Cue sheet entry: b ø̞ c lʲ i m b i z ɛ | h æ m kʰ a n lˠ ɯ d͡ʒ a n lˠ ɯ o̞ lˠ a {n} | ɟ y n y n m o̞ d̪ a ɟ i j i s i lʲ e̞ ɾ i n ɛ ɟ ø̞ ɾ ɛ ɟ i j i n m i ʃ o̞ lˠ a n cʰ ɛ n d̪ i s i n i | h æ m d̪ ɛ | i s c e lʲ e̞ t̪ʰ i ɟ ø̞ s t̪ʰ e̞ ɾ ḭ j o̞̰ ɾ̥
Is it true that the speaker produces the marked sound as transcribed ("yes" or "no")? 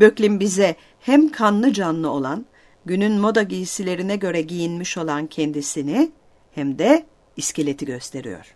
yes